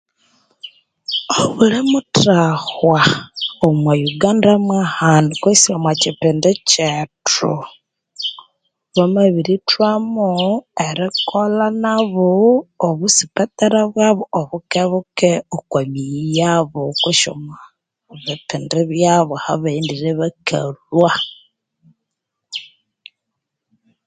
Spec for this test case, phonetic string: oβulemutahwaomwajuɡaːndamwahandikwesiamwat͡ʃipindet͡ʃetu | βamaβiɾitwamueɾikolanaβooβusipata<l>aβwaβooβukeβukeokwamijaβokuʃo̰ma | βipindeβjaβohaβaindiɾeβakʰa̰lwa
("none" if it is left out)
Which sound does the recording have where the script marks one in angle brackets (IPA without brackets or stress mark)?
ɾ